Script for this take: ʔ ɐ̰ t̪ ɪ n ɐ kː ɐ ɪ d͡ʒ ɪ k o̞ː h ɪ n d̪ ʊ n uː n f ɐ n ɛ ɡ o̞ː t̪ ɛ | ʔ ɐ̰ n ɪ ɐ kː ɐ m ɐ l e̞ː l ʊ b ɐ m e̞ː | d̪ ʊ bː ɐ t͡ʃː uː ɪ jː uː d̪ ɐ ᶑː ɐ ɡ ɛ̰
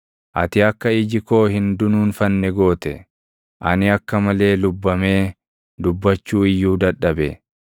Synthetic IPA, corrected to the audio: ʔ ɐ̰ t̪ ɪ ɐ kː ɐ ɪ d͡ʒ ɪ k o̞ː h ɪ n d̪ ʊ n uː n f ɐ nː ɛ ɡ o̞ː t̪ ɛ | ʔ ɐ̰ n ɪ ɐ kː ɐ m ɐ l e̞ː l ʊ bː ɐ m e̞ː | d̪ ʊ bː ɐ t͡ʃː uː ɪ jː uː d̪ ɐ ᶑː ɐ b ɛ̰